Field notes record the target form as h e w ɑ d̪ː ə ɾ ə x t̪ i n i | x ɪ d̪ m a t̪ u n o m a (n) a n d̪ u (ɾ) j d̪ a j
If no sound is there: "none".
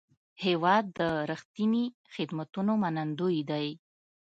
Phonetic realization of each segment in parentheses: n, none

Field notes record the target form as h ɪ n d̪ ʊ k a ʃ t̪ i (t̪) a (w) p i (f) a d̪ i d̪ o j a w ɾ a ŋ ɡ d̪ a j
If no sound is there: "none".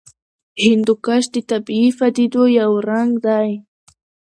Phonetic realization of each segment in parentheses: t̪, none, f

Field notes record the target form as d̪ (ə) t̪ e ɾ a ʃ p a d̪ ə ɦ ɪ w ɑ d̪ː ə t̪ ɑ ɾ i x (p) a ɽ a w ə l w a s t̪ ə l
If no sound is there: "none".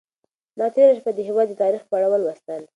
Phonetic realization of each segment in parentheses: ɑ, p

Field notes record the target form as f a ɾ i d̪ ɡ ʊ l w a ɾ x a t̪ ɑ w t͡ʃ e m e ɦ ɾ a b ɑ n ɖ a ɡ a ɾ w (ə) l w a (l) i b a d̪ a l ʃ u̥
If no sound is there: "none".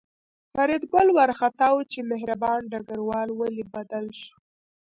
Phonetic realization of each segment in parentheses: ɑ, l

